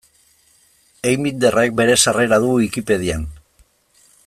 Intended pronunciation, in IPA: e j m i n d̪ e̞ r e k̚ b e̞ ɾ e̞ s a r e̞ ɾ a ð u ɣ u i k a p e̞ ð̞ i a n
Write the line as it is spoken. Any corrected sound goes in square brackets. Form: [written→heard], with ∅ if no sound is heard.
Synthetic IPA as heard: e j m i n d̪ e̞ r e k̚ b e̞ ɾ e̞ s a r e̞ ɾ a ð u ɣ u i k [a→i] p e̞ ð̞ i a n